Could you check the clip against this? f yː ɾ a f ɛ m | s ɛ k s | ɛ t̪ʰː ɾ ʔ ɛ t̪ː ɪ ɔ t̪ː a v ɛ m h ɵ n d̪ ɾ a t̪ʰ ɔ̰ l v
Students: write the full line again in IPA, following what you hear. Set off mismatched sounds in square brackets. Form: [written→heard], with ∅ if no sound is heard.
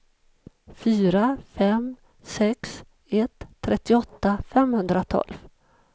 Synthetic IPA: f yː ɾ a f ɛ m | s ɛ k s | ɛ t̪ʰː ɾ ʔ ɛ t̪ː ɪ ɔ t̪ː a [v→f] ɛ m h ɵ n d̪ ɾ a t̪ʰ ɔ̰ l v